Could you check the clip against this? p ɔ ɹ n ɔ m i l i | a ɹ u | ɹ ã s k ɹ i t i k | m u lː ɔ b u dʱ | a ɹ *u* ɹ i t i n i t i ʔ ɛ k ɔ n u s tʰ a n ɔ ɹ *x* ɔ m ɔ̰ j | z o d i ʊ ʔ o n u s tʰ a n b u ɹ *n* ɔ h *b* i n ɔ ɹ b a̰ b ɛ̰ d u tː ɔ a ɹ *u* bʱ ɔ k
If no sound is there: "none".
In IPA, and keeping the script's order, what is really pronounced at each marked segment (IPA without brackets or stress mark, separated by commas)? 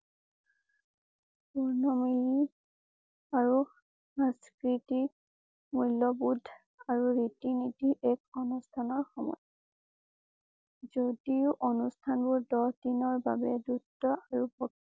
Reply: u, x, d, d, u